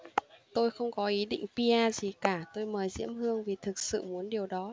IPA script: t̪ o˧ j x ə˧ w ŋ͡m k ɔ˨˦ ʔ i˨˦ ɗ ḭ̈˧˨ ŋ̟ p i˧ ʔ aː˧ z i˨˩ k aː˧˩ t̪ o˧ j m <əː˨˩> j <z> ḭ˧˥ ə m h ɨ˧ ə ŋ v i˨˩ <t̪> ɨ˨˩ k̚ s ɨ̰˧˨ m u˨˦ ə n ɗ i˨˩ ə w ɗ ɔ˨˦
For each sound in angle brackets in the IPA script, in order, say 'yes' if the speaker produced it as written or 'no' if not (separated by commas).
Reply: yes, yes, no